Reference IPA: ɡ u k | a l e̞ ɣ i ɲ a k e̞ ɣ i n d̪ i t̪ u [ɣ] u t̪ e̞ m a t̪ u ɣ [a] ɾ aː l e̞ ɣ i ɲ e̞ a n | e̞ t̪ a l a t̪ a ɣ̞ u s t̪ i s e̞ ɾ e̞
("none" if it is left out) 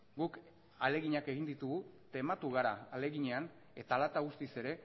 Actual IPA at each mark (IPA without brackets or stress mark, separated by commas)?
ɣ, a